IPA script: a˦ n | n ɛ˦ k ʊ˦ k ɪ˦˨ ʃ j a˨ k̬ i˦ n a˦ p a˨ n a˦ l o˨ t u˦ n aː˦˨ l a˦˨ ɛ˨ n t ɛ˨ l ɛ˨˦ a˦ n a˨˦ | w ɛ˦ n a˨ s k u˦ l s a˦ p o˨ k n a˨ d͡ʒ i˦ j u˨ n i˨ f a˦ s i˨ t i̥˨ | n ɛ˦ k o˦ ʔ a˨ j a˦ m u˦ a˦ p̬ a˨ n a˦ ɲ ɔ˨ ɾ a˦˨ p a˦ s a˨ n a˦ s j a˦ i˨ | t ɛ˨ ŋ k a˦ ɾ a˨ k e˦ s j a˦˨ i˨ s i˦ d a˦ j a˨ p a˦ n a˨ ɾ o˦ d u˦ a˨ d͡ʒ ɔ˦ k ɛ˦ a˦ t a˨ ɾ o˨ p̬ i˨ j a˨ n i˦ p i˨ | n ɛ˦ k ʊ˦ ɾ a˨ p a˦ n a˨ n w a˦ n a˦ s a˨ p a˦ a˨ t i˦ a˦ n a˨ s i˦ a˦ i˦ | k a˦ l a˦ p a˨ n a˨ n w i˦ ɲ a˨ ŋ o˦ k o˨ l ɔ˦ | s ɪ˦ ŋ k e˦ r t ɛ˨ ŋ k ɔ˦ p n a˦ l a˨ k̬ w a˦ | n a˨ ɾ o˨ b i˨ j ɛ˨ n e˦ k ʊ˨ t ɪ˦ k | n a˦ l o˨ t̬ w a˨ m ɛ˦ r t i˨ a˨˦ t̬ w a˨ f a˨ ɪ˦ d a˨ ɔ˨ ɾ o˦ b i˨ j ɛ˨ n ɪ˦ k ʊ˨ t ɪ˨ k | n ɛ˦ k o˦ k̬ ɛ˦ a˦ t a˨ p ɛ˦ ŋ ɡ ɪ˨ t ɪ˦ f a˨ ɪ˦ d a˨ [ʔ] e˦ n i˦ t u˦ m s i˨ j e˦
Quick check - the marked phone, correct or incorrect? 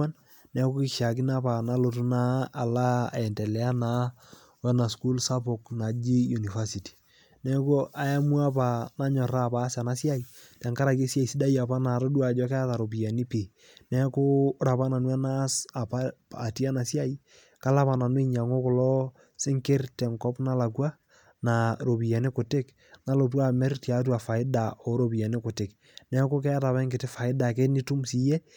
incorrect